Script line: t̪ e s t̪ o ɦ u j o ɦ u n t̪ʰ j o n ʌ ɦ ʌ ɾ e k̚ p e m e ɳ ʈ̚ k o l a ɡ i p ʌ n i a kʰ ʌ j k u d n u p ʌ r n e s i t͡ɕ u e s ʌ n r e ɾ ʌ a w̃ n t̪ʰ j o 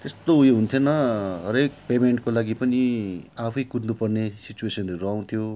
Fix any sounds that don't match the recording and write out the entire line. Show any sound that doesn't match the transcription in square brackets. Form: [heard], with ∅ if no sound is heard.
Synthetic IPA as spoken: t̪ e s t̪ o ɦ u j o ɦ u n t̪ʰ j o n ʌ ɦ ʌ ɾ e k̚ p e m e ɳ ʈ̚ k o l a ɡ i p ʌ n i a [pʰ] ʌ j k u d n u p ʌ r n e s i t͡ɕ u e s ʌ n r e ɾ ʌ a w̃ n t̪ʰ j o